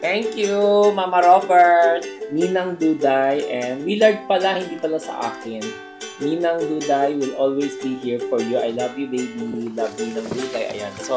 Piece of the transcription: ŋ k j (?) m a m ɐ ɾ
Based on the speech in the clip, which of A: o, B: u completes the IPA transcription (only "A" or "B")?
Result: B